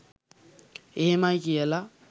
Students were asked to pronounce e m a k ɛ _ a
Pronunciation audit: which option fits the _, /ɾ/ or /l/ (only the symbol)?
l